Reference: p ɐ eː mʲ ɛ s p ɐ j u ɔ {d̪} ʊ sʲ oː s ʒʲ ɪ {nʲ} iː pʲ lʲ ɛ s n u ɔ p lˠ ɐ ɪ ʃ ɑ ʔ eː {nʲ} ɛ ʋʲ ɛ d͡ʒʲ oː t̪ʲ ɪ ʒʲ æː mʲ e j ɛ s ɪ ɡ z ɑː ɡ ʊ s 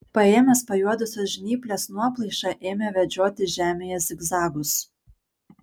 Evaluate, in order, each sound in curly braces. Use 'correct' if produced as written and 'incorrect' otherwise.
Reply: correct, correct, incorrect: mʲ

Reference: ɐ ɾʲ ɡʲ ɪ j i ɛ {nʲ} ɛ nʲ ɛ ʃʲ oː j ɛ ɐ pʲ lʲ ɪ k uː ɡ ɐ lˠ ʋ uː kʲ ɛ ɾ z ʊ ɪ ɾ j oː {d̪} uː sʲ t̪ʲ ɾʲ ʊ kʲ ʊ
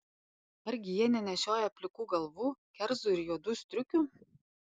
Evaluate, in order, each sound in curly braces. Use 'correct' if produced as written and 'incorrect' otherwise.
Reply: correct, correct

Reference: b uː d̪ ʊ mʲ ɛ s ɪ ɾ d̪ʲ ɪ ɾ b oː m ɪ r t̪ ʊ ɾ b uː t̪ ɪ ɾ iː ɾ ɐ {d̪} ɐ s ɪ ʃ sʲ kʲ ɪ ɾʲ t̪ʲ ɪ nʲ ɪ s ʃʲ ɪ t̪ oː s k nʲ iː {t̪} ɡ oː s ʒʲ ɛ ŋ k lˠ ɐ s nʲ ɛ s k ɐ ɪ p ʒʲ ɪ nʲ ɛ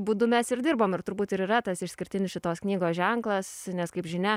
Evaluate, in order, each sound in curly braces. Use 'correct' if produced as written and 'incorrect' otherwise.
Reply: incorrect: t̪, incorrect: none

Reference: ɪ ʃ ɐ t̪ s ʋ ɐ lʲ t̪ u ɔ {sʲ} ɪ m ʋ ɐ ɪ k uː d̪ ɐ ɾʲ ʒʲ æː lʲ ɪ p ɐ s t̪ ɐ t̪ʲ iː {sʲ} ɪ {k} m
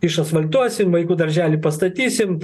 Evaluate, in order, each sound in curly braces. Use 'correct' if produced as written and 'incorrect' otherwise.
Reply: correct, correct, incorrect: none

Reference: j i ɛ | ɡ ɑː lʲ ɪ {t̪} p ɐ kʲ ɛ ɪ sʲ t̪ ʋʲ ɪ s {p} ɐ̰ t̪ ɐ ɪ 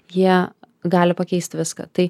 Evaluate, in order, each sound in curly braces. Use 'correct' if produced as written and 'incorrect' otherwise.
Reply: incorrect: none, incorrect: k

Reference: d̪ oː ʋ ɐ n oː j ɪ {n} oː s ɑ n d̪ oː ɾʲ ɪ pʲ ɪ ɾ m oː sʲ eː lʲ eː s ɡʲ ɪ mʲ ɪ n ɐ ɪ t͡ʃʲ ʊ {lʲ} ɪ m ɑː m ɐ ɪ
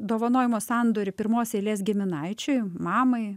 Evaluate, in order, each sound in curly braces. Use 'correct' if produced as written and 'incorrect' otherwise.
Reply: incorrect: m, incorrect: none

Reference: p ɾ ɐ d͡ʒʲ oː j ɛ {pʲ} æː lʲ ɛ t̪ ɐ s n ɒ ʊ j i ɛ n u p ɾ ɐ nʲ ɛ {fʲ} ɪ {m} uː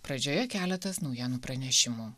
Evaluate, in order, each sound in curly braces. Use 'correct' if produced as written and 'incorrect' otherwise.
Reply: incorrect: kʲ, incorrect: ʃʲ, correct

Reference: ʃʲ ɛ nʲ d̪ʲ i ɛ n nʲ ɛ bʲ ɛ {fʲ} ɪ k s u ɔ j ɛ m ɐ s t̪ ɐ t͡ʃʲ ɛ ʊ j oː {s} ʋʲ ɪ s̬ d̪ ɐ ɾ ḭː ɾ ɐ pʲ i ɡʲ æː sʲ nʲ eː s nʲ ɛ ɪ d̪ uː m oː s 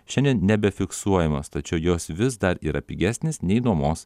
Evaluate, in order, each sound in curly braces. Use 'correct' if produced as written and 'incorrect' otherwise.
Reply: correct, correct

